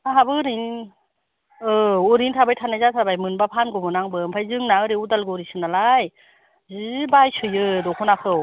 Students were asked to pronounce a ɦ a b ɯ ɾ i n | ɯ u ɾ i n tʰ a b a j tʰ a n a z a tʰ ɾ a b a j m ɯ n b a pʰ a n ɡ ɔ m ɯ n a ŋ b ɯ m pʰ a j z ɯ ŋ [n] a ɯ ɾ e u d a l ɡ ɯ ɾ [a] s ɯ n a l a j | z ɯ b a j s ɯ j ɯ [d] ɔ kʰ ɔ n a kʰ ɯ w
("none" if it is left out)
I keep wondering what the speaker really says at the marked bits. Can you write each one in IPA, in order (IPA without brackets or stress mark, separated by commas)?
n, i, d